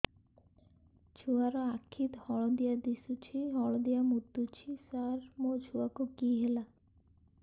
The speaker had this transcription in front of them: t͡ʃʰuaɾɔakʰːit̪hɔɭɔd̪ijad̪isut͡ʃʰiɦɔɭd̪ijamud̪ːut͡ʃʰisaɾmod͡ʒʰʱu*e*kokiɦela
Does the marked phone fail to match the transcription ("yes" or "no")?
yes